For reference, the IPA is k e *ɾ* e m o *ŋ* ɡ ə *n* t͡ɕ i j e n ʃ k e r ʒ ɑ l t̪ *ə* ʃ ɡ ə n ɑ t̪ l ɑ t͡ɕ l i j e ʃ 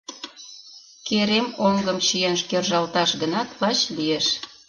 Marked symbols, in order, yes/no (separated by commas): yes, yes, no, no